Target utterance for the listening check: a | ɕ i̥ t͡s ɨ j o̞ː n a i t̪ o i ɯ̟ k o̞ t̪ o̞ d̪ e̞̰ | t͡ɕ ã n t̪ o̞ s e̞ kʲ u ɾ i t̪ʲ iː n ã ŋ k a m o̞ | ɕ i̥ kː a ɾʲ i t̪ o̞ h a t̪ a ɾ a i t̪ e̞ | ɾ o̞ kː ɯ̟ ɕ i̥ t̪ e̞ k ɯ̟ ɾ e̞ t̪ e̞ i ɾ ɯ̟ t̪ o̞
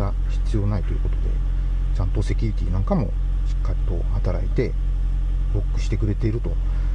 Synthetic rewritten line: a | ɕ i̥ t͡s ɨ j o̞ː n a i t̪ o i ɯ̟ k o̞ t̪ o̞ d̪ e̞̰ | t͡ɕ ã n t̪ o̞ s e̞ kʲ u ɾ i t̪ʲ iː n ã ŋ k a m o̞ | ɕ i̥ kː a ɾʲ i t̪ o̞ h a t̪ a ɾ a i t̪ e̞ | ɾ o̞ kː ɯ̟ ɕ i̥ t̪ e̞ k ɯ̟ ɾ e̞ t̪ e̞ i ɾ ɯ̟ t̪ o̞